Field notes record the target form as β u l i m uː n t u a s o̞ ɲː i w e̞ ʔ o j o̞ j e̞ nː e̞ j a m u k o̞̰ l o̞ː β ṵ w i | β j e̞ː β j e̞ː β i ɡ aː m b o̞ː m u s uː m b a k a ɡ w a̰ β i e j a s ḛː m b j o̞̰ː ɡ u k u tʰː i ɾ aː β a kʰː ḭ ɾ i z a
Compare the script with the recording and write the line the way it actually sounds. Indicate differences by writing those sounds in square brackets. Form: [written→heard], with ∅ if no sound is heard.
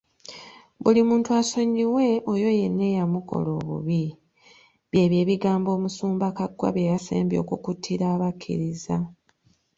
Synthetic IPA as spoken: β u l i m uː n t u a s o̞ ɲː i w e̞ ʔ o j o̞ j e̞ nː e̞ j a m u k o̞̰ l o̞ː β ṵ [w→β] i | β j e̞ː β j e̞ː β i ɡ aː m b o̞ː m u s uː m b a k a ɡ w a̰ β [i→j] e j a s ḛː m b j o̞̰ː [ɡ→k] u k u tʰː i ɾ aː β a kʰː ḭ ɾ i z a